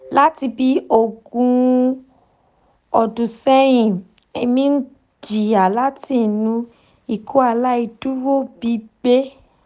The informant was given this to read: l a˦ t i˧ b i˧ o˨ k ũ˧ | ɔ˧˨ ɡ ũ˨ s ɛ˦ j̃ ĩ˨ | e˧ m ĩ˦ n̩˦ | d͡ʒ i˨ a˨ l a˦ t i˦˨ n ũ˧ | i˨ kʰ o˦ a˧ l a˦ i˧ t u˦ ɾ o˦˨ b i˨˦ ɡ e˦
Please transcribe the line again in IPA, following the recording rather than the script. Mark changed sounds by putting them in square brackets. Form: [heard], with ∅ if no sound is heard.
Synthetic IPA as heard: l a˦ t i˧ b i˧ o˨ [ɡ] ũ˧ | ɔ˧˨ [d] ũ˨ s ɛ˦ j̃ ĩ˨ | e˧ m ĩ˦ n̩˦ | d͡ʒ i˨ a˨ l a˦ t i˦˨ n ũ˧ | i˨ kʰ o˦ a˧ l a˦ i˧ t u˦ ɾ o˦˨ b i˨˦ [b] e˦

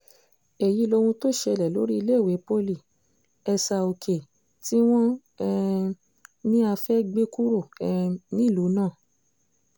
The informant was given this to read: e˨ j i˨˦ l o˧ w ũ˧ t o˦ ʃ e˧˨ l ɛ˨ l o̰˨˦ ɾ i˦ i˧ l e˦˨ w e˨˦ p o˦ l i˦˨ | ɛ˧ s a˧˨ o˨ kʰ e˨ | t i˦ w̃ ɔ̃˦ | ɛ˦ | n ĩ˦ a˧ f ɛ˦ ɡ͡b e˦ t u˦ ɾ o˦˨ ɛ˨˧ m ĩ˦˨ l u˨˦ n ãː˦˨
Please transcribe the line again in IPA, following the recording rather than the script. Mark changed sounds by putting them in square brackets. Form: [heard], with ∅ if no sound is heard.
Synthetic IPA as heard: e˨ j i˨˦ l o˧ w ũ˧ t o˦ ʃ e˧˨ l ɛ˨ l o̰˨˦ ɾ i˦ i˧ l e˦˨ w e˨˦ p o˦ l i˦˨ | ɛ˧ s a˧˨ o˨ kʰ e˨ | t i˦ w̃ ɔ̃˦ | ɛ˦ | n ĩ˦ a˧ f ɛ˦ ɡ͡b e˦ [k] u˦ ɾ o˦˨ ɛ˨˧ [n] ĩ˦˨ l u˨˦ n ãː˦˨

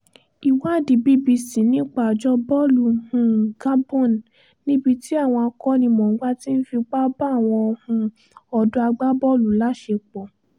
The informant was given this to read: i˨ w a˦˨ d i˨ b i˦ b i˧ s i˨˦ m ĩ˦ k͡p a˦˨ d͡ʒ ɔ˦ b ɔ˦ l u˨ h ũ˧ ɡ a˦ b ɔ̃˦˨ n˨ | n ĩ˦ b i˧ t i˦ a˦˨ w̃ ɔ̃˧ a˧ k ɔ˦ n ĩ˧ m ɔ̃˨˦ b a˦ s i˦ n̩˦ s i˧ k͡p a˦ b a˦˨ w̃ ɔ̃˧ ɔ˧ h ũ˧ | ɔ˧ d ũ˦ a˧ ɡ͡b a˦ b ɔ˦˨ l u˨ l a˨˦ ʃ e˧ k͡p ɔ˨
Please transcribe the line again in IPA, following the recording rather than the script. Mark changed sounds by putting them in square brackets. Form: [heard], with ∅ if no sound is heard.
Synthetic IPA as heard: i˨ w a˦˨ d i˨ b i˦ b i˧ s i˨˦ [n] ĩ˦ k͡p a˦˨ d͡ʒ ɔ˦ b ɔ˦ l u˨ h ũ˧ ɡ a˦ b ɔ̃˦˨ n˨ | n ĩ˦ b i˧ t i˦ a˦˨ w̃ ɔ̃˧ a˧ k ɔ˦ n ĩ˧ m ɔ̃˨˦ [ɡ͡b] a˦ [t] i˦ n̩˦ [f] i˧ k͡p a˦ b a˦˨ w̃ ɔ̃˧ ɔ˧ h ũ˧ | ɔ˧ d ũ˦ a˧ ɡ͡b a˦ b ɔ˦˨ l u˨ l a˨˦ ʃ e˧ k͡p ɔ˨

